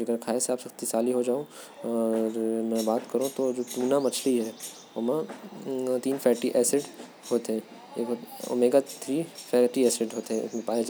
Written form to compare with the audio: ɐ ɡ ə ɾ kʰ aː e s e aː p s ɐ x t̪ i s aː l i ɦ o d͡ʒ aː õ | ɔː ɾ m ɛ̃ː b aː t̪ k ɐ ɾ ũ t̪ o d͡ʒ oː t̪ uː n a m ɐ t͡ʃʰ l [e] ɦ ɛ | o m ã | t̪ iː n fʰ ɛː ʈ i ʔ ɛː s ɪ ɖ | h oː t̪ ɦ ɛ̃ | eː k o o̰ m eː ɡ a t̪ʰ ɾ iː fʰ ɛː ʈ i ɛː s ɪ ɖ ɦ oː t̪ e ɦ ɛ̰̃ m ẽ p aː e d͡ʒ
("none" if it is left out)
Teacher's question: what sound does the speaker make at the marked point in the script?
i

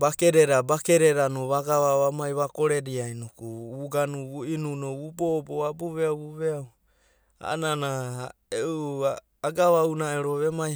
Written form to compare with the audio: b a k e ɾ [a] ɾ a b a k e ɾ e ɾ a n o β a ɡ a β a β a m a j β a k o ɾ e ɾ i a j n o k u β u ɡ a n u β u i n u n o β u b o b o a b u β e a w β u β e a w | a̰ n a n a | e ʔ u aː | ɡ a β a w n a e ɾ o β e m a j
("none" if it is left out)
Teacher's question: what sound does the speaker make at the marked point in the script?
e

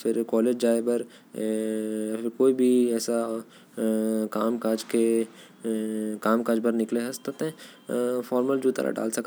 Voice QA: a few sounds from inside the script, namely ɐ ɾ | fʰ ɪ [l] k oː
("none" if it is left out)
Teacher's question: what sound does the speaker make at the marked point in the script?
ɾ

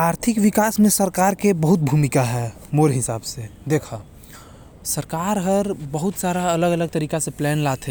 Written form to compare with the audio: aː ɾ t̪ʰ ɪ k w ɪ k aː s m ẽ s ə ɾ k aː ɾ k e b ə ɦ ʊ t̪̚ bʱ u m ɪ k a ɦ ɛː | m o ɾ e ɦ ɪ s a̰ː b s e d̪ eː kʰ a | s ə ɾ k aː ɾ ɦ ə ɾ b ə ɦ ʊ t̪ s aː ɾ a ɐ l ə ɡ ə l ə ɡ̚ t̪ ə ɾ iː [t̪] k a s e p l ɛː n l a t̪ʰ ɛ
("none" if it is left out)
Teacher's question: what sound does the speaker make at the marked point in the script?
none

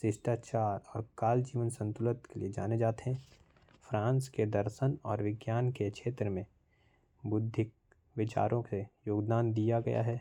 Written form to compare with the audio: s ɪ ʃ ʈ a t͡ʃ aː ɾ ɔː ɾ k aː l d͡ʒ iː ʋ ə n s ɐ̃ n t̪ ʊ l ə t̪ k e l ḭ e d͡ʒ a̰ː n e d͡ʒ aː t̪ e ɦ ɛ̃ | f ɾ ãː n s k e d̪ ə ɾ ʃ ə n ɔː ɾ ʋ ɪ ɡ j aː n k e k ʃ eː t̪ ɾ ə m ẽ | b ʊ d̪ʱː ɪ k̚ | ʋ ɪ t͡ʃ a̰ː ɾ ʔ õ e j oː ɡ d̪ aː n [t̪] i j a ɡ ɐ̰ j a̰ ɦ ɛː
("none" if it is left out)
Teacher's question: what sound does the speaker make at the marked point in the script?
d̪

